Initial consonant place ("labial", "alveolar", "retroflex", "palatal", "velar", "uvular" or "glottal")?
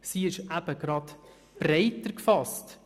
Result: alveolar